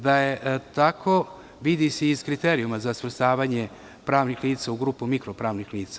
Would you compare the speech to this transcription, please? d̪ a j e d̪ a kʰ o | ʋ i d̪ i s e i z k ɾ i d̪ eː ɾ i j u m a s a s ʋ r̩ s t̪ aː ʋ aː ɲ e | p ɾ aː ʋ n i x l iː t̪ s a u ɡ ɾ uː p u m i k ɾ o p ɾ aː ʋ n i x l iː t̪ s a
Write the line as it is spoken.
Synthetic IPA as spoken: d̪ a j e t̪ a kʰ o | ʋ i d̪ i s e i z k ɾ i t̪ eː ɾ i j u m a z a s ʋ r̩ s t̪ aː ʋ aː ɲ e | p ɾ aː ʋ n i x l iː t̪ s a u ɡ ɾ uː p u m i k ɾ o p ɾ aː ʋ n i x l iː t̪ s a